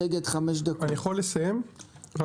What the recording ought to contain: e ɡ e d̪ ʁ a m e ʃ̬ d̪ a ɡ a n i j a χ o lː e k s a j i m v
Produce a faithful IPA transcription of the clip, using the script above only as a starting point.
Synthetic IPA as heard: e ɡ e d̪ χ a m e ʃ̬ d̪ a k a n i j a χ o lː e s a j e m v